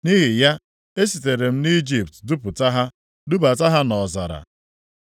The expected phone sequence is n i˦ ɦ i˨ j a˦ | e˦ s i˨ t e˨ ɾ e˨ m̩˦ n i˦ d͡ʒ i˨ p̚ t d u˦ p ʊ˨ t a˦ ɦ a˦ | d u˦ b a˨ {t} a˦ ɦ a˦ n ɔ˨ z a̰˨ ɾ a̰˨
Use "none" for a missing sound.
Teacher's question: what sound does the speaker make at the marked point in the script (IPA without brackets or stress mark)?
t